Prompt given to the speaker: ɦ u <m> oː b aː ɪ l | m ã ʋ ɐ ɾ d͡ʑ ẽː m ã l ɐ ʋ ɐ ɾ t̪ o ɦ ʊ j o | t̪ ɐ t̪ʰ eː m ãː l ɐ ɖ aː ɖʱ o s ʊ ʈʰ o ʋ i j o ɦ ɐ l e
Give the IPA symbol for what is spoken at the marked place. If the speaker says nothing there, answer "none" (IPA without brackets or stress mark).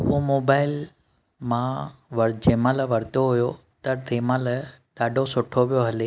m